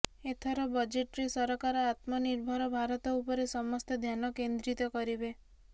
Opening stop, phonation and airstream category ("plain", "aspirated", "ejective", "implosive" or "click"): aspirated